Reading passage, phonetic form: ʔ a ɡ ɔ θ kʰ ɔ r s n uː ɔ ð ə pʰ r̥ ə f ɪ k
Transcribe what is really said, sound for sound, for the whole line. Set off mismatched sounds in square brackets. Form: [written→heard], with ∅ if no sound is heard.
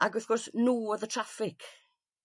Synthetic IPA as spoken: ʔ a ɡ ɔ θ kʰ ɔ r s n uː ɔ ð ə [pʰ→tʰ] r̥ [ə→a] f ɪ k